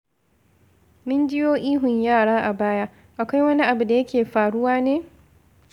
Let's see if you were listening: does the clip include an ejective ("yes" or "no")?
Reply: no